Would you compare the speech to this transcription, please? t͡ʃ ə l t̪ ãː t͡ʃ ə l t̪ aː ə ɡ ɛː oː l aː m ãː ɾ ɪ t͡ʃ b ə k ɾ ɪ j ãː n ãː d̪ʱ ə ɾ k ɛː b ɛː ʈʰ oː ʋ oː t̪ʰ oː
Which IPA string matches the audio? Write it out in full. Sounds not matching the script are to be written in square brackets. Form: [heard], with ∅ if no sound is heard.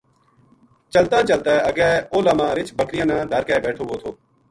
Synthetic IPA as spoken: t͡ʃ ə l t̪ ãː t͡ʃ ə l t̪ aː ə ɡ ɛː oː l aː m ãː ɾ ɪ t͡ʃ b ə k ɾ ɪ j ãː n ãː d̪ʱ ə ɾ k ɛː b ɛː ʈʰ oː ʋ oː t̪ʰ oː